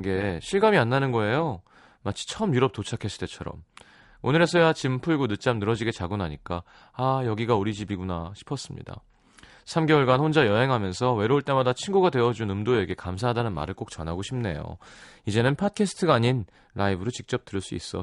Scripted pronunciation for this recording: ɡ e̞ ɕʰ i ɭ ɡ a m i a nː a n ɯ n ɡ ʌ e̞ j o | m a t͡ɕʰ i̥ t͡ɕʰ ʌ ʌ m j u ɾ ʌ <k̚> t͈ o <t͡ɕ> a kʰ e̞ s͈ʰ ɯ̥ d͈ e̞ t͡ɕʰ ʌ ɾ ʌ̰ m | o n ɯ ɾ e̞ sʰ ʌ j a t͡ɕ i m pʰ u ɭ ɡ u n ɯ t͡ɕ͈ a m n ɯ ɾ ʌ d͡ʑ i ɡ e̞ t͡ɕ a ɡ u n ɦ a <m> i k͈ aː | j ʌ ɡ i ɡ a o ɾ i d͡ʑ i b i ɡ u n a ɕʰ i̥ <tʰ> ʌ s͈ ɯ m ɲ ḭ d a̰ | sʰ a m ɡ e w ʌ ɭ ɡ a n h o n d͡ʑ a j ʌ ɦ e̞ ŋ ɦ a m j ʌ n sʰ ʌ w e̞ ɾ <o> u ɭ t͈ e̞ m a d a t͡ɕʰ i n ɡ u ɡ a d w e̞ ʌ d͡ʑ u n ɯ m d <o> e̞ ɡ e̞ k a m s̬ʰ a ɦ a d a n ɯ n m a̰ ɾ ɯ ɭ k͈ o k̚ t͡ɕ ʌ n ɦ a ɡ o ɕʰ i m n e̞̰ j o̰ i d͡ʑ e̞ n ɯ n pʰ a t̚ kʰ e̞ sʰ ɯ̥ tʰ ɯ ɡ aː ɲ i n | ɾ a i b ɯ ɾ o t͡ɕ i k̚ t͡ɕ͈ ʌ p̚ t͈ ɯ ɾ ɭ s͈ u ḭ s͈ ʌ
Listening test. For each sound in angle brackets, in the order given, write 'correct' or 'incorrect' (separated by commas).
incorrect, incorrect, incorrect, incorrect, correct, correct